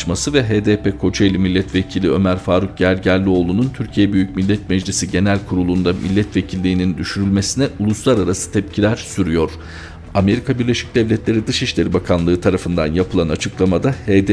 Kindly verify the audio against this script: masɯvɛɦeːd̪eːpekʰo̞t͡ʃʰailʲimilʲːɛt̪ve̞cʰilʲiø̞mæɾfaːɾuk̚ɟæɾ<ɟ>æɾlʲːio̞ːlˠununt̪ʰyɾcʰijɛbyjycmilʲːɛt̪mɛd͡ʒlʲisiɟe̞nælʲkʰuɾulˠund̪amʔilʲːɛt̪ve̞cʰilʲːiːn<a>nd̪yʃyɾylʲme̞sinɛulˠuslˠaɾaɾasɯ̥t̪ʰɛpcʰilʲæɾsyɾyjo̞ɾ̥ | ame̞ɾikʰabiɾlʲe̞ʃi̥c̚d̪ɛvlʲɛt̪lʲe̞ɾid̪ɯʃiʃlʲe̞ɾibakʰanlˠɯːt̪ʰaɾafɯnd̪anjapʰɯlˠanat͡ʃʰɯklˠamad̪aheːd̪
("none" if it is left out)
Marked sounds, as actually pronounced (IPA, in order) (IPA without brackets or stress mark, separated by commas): ɟ, i